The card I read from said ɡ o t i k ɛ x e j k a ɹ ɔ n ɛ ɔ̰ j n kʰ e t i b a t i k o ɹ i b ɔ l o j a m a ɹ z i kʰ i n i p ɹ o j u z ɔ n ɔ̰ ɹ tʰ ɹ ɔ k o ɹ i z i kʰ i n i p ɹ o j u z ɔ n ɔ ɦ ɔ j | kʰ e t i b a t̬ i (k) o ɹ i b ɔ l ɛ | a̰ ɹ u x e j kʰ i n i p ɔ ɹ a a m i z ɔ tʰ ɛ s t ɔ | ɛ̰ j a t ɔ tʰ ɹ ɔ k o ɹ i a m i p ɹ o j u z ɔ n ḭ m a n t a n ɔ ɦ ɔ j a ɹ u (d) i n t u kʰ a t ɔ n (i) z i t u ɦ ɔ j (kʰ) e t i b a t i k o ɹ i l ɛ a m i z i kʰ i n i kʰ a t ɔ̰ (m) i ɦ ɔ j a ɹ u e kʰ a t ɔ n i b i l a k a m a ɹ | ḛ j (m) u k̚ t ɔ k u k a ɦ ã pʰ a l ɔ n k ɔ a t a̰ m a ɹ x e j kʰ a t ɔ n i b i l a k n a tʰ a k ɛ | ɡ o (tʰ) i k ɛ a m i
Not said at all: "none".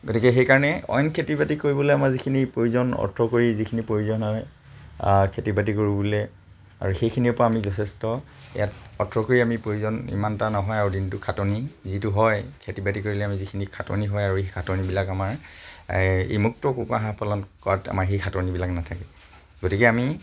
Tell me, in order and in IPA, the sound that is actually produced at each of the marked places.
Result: k, d, i, kʰ, n, m, t

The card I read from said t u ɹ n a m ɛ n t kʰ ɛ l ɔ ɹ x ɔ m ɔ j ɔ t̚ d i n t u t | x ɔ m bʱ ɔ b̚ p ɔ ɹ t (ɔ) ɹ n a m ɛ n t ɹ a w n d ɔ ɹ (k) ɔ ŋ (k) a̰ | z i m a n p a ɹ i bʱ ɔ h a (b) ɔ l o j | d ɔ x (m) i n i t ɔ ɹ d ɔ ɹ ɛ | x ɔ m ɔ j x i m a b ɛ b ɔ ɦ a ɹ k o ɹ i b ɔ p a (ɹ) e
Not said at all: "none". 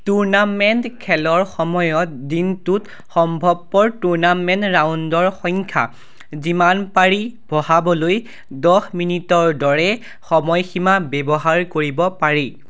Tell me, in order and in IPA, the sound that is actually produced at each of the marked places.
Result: u, x, kʰ, b, m, ɹ

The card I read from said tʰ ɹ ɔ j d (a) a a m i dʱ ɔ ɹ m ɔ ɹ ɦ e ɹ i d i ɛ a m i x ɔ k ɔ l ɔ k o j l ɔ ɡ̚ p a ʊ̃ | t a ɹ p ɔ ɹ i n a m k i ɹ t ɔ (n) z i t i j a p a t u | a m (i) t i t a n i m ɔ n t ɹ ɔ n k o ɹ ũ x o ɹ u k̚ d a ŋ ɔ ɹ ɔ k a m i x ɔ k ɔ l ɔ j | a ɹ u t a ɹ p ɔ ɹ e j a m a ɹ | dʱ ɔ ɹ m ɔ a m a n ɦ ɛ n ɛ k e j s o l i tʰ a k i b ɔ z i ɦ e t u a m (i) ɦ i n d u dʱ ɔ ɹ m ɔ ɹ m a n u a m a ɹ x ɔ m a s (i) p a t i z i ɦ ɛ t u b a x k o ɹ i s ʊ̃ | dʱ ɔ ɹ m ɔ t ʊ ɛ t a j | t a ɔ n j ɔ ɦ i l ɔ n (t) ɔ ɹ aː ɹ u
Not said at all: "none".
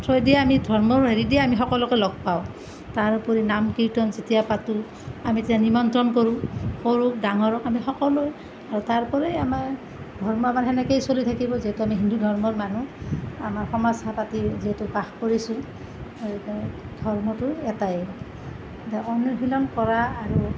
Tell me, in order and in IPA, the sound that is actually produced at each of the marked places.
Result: i, n, i, i, a, k

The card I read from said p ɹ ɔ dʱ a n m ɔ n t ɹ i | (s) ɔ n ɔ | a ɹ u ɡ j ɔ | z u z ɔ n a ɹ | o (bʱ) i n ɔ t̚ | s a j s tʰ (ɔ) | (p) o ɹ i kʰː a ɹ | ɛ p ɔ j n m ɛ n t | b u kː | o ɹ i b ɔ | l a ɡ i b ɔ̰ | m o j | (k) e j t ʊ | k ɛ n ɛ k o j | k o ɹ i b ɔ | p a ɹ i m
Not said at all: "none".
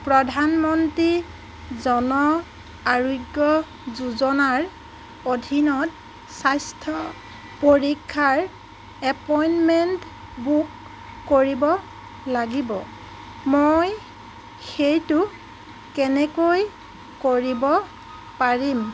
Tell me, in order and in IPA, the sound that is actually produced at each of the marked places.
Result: z, dʱ, ɔ, p, x

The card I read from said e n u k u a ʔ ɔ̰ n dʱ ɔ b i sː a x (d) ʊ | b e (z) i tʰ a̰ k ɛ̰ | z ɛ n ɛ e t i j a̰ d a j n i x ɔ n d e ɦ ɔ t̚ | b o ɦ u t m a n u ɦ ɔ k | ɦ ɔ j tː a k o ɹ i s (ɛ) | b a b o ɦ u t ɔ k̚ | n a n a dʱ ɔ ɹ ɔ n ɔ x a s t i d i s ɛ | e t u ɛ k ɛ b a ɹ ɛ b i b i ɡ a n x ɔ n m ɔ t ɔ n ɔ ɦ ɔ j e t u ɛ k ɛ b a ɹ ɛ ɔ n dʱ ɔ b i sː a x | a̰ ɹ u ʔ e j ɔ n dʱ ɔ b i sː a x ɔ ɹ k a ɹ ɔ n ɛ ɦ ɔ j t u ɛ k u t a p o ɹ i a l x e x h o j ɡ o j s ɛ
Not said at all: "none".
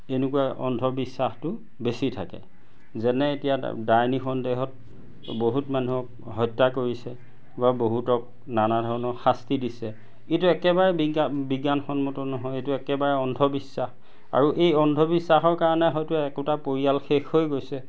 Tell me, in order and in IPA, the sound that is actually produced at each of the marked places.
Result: t, s, ɛ

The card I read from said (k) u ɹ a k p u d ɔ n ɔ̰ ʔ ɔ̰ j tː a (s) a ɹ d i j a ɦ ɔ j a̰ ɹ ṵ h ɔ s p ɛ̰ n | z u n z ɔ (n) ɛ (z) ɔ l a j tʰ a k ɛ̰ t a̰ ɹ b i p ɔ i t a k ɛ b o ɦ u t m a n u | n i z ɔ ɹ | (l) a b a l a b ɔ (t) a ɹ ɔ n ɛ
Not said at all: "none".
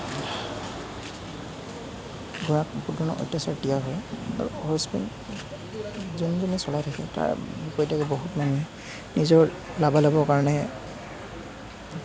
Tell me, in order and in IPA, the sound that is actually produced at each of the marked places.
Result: ɡ, s, n, s, l, k

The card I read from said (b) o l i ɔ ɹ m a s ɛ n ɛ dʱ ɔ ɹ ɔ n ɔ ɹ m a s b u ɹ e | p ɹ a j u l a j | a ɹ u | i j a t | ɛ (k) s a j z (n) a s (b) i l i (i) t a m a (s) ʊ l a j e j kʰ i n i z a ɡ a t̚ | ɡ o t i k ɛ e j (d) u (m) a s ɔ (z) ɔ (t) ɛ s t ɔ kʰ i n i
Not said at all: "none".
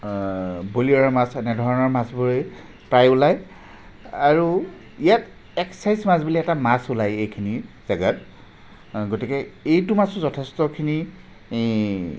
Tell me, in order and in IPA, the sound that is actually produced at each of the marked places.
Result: b, k, m, b, ɛ, s, t, m, z, tʰ

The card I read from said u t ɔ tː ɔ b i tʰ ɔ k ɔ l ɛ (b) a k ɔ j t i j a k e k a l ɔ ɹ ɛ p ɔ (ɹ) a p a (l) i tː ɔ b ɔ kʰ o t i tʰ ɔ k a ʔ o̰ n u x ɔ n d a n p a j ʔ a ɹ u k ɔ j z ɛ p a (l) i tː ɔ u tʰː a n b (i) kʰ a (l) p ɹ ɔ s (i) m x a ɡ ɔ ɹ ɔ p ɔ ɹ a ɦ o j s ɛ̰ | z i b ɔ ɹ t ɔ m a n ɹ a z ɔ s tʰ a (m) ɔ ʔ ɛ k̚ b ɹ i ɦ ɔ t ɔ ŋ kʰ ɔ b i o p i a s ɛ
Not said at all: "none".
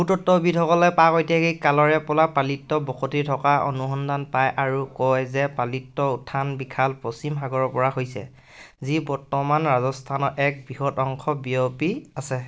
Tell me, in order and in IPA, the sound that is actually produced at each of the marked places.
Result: p, l, l, l, i, l, i, n

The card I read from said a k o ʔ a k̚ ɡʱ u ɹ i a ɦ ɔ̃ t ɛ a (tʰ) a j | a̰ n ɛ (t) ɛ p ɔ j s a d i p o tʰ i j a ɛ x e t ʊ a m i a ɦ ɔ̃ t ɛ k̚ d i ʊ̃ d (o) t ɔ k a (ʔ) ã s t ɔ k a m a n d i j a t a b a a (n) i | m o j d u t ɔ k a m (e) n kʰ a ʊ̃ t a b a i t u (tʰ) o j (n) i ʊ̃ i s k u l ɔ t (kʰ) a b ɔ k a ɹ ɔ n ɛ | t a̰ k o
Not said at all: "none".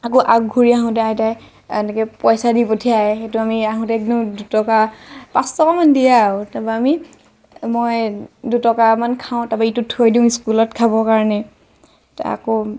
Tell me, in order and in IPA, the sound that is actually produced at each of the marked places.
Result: t, k, u, p, m, a, tʰ, d, kʰ

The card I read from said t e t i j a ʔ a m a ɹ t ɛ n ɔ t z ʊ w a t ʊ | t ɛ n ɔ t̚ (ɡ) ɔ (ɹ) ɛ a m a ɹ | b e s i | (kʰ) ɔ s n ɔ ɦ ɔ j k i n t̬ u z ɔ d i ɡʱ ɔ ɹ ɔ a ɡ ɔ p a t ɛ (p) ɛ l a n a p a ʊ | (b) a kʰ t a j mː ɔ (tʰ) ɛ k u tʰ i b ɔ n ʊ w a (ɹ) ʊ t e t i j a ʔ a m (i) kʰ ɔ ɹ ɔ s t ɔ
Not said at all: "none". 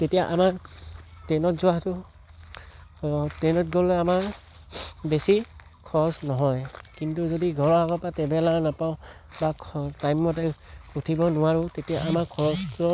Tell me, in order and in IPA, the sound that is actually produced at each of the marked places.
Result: ɡ, l, kʰ, b, b, t, ɹ, a

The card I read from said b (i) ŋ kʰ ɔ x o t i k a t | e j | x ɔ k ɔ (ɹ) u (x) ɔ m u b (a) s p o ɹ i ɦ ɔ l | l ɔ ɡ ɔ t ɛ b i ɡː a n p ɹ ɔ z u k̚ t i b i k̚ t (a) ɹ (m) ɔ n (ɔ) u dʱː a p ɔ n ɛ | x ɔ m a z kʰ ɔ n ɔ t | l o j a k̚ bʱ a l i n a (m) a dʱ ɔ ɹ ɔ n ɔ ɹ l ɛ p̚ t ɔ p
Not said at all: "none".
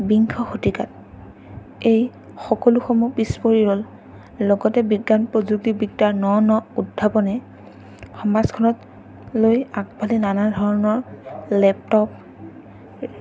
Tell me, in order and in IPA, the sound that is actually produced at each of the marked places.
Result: i, l, x, i, a, n, ɔ, n

